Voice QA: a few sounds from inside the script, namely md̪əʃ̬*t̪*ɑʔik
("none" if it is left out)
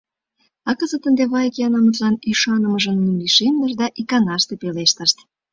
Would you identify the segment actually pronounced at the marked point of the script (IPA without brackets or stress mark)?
d̪